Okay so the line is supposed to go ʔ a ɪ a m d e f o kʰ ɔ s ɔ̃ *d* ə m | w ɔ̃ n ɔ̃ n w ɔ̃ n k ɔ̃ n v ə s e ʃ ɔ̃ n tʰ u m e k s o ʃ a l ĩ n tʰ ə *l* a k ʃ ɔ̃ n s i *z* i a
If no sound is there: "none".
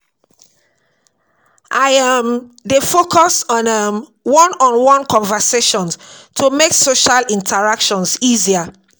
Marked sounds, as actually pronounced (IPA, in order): n, ɹ, z

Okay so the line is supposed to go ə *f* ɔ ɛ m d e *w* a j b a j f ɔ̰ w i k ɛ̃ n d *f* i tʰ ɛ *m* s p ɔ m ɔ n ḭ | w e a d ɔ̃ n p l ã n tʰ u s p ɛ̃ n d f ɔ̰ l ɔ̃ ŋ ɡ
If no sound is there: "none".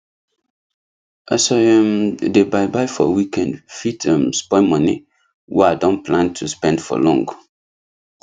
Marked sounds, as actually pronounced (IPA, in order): s, b, f, m

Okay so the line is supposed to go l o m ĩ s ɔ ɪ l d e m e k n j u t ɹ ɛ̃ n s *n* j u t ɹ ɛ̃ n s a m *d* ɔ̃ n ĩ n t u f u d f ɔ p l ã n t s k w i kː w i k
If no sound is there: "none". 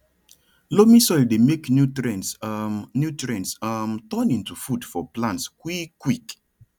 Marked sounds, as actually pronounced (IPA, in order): n, t

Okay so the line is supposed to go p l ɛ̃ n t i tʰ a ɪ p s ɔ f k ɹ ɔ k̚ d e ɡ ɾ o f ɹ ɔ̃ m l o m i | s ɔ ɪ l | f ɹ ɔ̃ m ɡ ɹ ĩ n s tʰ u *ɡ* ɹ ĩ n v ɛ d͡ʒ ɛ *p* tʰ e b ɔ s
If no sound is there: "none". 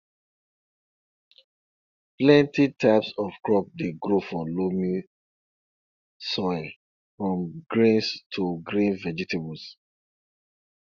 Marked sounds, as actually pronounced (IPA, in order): ɡ, none

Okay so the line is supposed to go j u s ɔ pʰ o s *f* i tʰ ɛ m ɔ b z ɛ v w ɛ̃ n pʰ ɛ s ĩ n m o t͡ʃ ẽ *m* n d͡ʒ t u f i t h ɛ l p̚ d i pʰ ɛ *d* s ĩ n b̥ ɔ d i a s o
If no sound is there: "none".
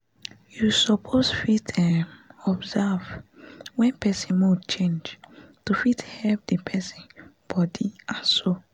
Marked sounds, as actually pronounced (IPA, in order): f, none, none

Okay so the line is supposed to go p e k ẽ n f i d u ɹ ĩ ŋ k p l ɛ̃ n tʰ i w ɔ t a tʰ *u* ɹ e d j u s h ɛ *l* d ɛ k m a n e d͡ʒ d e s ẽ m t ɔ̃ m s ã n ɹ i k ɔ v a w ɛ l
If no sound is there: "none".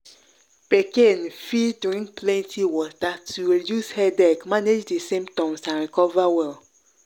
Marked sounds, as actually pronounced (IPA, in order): u, none

